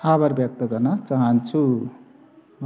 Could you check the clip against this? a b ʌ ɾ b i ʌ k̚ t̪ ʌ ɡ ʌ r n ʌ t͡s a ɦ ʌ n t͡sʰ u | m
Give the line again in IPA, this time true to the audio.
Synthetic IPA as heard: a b ʌ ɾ b j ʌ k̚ t̪ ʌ ɡ ʌ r n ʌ t͡s a ɦ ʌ n t͡sʰ u | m